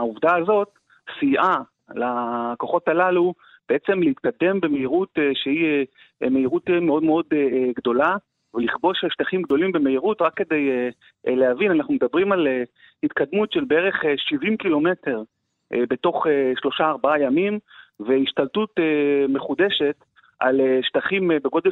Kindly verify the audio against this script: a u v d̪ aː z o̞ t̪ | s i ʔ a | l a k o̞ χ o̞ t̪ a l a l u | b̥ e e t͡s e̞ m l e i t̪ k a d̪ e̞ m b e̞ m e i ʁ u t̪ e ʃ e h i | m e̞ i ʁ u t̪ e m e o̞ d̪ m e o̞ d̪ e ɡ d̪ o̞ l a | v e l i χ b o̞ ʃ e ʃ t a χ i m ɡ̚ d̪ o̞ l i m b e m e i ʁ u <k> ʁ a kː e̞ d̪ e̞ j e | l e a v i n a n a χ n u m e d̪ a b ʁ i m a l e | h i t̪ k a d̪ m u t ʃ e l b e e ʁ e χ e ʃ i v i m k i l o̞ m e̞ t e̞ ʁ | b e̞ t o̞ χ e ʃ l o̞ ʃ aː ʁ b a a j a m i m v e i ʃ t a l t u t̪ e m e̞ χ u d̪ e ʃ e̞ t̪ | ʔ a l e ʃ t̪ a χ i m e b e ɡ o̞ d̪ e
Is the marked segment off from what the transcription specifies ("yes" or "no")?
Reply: yes